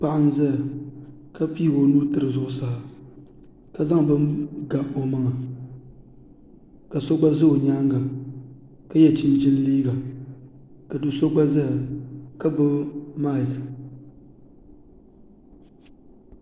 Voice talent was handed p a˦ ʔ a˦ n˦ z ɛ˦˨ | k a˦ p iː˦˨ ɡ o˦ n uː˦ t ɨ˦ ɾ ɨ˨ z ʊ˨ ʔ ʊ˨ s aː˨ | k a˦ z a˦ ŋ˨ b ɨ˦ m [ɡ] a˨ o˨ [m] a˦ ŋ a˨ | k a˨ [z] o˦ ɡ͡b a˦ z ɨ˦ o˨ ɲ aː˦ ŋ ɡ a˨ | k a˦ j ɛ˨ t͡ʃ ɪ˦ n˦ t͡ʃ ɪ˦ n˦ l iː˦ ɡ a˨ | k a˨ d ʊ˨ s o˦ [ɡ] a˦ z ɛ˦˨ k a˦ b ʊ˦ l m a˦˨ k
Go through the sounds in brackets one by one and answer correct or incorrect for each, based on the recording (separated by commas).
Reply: correct, correct, incorrect, incorrect